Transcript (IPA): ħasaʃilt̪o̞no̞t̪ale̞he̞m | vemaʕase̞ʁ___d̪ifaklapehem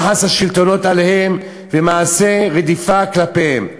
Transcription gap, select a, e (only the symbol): e